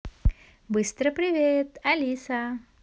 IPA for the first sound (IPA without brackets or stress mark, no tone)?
b